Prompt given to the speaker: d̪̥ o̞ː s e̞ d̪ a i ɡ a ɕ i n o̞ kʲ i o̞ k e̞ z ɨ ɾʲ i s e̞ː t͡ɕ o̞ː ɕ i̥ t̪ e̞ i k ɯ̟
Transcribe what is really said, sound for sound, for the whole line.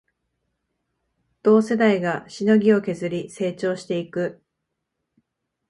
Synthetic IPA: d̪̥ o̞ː s e̞ d̪ a i ɡ a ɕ i n o̞ ɡʲ i o̞ k e̞ z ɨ ɾʲ i s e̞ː t͡ɕ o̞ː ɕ i̥ t̪ e̞ i k ɯ̟